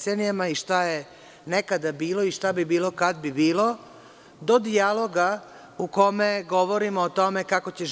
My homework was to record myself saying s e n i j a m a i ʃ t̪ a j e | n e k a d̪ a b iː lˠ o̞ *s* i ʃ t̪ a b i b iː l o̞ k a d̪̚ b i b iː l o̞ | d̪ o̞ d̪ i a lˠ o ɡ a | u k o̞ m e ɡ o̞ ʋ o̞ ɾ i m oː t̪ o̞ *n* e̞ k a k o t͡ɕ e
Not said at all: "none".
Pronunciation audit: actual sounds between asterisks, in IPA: none, m

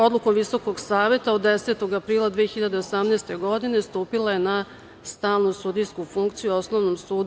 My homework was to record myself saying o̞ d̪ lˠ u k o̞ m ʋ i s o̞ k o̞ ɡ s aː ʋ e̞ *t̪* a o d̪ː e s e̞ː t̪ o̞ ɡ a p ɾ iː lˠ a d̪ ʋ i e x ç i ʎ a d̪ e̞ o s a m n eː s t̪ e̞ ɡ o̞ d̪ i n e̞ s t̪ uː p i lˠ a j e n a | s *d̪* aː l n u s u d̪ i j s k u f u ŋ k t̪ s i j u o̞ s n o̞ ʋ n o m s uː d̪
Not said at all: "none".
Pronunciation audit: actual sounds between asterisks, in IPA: t̪, t̪

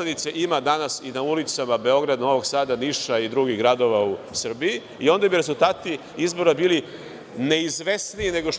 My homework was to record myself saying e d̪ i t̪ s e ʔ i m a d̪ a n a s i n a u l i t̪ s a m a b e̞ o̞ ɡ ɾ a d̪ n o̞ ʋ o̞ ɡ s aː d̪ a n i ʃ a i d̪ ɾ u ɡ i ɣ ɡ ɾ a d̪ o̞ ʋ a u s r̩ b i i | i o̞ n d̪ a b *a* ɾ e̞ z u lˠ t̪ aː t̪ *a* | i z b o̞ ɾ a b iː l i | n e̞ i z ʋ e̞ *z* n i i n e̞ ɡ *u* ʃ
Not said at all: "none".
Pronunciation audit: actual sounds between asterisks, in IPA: i, i, s, o

